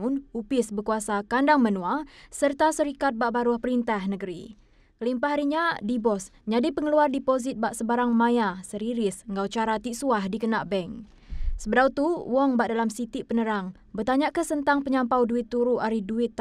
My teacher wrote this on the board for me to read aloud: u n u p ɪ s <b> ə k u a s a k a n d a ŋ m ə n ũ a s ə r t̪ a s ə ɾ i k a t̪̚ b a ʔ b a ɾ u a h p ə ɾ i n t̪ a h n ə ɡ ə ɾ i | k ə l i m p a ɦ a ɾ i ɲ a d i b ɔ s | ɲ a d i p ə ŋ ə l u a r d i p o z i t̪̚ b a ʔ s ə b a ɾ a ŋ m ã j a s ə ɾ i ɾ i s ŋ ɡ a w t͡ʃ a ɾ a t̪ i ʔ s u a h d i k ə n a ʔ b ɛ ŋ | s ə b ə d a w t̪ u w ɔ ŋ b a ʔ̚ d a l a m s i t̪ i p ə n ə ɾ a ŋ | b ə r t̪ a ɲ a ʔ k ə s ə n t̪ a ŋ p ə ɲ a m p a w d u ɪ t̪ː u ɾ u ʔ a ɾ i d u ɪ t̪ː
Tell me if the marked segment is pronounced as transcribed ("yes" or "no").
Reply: yes